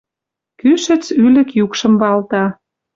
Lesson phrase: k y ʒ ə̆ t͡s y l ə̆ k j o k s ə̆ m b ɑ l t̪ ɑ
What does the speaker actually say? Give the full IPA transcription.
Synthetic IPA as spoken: k y ʃ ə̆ t͡s y l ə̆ k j u k ʃ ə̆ m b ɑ l t̪ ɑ